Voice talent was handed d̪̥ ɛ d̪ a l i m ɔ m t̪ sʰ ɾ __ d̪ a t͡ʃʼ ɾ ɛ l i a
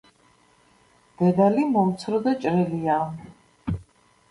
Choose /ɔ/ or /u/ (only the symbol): ɔ